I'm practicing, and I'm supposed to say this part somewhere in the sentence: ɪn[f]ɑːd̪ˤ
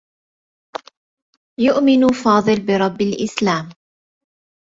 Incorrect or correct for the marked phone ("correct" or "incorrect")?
correct